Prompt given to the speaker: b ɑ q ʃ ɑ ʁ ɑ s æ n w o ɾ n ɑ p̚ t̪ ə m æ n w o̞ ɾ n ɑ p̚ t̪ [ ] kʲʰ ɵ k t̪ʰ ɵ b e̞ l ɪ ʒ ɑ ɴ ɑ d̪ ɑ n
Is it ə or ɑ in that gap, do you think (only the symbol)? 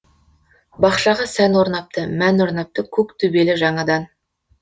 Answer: ə